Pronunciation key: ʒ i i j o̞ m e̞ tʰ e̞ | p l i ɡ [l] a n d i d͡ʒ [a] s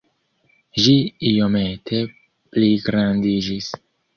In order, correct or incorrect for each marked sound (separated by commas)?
incorrect, incorrect